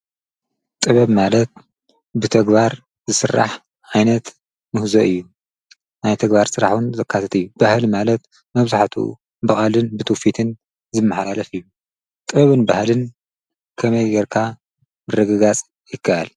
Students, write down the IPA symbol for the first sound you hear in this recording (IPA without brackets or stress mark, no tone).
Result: t̪ʼ